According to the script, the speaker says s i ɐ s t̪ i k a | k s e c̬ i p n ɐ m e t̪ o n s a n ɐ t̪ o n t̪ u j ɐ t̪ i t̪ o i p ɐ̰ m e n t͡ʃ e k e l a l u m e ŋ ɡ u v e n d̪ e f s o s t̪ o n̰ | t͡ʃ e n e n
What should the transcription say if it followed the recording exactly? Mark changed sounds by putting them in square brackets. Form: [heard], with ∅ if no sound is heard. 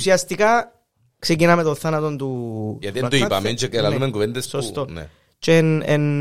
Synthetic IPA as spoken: s i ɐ s t̪ i k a | k s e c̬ i [∅] n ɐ m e t̪ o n [θ] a n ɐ t̪ o n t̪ u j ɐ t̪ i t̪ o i p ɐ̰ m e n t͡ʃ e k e l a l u m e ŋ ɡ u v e n d̪ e [s] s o s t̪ o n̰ | t͡ʃ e n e n